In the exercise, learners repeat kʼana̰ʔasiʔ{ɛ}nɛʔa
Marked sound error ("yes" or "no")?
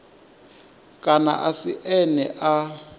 no